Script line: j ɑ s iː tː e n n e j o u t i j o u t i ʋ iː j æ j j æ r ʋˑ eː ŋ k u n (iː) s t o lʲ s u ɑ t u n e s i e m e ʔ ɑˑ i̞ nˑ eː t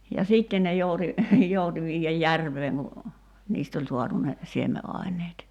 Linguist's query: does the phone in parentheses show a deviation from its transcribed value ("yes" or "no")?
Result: no